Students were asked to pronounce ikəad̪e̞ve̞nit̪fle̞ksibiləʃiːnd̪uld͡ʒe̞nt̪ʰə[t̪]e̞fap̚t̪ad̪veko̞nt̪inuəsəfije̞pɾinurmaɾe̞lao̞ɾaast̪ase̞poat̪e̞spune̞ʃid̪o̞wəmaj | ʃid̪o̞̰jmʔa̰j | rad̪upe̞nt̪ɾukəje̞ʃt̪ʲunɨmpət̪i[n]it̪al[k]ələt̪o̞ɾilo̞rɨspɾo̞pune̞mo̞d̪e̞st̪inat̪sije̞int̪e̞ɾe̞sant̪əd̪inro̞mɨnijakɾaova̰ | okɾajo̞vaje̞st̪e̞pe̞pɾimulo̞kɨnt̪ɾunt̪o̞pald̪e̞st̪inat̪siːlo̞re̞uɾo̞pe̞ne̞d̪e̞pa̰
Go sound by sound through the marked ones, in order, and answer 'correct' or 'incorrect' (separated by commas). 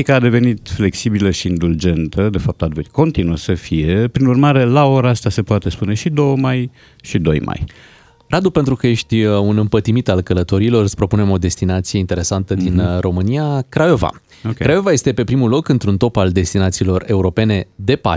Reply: incorrect, incorrect, correct